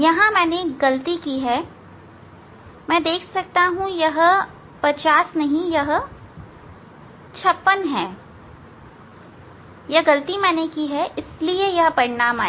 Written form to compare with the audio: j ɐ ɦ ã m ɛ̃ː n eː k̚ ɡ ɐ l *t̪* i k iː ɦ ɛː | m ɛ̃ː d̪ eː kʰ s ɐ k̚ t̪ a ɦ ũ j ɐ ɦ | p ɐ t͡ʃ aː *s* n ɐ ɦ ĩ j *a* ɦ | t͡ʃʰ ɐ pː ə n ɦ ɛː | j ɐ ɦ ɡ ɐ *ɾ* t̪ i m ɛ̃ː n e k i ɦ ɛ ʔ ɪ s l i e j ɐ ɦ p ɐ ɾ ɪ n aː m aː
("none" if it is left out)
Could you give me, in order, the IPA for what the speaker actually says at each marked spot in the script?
t̪, s, ɐ, l

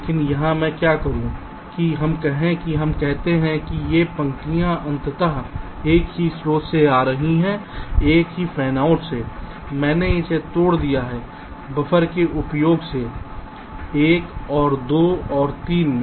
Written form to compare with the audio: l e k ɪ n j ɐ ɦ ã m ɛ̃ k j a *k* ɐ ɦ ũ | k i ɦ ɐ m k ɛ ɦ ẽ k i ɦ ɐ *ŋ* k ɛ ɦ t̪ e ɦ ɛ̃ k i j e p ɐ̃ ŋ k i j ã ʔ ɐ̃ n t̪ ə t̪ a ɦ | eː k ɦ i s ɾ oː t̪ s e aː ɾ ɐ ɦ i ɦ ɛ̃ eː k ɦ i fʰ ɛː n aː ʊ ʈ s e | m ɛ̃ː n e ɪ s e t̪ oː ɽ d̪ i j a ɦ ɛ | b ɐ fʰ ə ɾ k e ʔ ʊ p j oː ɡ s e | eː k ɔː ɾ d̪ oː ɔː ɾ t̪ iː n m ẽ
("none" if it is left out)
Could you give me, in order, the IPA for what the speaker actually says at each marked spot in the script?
k, m

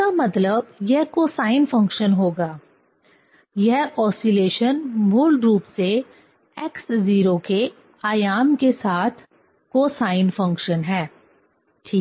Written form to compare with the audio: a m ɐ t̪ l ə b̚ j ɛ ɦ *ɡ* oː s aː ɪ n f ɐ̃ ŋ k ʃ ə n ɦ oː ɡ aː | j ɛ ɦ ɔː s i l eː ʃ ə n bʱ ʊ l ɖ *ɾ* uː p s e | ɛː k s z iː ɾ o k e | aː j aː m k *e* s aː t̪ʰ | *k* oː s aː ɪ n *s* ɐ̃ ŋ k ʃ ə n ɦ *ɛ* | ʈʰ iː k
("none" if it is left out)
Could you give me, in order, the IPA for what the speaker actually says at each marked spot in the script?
k, ɾ, e, k, f, ɛː

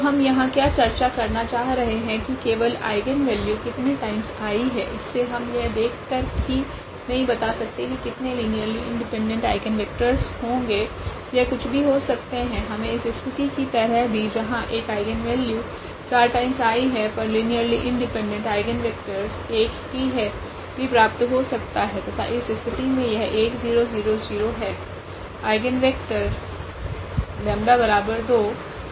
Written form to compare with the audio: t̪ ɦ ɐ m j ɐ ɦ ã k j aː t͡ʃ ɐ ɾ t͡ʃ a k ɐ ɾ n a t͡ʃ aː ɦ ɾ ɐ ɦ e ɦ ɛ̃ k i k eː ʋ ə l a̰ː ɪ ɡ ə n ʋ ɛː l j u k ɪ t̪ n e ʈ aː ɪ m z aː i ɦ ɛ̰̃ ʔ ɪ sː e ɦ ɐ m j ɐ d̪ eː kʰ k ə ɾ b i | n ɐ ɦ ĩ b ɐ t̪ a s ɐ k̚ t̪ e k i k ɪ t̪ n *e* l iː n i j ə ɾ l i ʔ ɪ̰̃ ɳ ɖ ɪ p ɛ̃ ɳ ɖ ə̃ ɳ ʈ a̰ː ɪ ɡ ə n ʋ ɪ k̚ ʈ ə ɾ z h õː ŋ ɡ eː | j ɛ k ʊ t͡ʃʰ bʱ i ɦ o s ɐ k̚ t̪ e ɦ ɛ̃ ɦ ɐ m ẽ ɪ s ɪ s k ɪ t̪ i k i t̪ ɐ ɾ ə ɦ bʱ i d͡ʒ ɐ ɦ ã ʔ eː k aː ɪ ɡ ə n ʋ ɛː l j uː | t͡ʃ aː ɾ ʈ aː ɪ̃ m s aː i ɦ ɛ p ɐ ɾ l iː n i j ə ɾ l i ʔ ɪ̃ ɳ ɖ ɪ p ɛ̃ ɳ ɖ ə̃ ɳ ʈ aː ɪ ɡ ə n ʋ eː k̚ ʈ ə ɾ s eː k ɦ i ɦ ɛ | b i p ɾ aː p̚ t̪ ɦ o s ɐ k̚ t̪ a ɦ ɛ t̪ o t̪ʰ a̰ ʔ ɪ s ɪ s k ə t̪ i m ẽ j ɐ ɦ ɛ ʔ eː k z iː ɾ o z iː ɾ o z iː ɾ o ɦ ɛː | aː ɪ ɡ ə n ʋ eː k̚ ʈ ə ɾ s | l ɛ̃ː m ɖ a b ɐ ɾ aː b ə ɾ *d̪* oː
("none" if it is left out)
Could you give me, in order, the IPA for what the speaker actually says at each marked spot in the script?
e, d̪

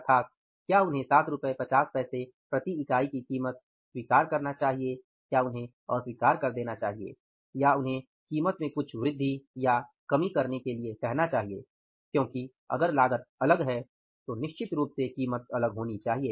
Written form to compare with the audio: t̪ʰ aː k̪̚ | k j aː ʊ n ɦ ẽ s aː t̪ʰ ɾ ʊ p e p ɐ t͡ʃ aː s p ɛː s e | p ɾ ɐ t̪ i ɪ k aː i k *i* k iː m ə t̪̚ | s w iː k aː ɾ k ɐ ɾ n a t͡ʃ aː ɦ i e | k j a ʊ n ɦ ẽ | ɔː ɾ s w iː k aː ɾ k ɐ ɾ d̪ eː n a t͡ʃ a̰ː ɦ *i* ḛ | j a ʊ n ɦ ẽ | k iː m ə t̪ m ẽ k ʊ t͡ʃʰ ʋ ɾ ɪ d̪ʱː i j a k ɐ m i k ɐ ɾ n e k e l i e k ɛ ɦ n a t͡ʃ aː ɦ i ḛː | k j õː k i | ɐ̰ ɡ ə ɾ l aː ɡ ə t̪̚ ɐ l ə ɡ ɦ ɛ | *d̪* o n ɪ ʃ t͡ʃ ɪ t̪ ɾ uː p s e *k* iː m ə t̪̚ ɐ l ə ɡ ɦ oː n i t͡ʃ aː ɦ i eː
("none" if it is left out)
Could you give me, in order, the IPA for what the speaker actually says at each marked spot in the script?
i, i, t̪, k

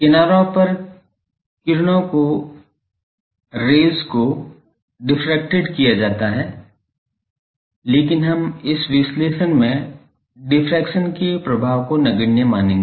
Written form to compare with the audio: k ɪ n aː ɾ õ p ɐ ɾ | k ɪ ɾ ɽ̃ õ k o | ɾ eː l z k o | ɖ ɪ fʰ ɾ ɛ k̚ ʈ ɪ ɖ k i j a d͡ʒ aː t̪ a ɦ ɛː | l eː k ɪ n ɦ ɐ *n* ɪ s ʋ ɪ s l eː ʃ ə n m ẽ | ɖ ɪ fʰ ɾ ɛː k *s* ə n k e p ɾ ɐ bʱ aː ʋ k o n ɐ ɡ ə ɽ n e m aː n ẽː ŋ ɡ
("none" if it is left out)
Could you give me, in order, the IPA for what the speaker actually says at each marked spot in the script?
m, ʃ

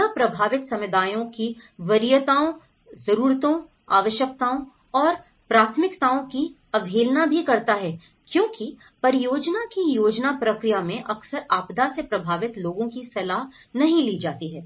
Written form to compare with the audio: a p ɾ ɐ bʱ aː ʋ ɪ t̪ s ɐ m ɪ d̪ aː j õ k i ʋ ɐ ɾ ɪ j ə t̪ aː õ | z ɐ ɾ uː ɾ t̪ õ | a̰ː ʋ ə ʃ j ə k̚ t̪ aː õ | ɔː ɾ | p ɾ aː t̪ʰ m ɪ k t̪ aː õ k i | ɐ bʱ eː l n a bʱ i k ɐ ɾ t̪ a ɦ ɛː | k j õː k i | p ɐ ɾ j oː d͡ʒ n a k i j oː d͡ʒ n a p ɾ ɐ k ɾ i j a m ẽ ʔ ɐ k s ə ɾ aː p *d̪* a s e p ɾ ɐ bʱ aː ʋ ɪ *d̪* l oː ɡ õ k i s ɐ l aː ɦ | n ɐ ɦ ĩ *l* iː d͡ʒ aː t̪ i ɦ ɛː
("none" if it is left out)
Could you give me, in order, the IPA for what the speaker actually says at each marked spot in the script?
d̪, t̪, l

